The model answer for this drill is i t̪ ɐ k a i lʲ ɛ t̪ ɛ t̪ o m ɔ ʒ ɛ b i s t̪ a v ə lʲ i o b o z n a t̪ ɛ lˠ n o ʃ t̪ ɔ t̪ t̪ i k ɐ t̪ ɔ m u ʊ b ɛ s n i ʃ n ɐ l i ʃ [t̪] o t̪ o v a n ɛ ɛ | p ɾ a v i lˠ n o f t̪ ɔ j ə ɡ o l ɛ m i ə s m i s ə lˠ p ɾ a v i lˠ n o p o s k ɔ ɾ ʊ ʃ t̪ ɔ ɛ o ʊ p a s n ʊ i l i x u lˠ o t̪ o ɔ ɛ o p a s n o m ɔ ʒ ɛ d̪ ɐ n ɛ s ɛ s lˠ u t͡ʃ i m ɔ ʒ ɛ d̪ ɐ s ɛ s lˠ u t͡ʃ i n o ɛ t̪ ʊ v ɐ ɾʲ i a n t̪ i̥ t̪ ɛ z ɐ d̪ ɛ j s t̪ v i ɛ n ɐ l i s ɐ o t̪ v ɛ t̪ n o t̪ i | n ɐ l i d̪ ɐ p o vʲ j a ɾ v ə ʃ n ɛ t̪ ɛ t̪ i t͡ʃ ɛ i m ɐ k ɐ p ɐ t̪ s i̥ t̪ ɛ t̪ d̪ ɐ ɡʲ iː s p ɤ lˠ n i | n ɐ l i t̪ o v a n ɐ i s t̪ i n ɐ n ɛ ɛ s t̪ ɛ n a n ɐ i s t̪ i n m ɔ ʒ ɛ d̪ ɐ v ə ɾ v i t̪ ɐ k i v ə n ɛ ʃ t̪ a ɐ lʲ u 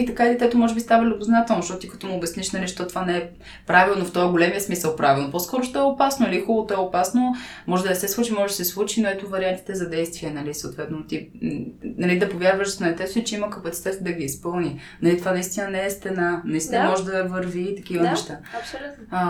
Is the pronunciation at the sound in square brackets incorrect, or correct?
correct